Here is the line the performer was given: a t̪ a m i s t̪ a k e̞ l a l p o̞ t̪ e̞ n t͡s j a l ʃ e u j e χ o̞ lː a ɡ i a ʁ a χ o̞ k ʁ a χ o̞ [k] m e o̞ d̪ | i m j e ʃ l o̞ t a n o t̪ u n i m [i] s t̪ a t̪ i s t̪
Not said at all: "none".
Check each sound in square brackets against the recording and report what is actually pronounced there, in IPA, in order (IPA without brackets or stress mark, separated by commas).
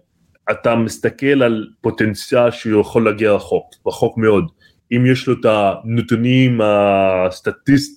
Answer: k, a